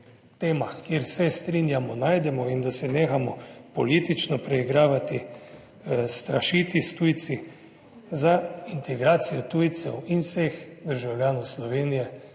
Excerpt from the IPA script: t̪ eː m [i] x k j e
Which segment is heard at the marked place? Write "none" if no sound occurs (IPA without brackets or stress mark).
a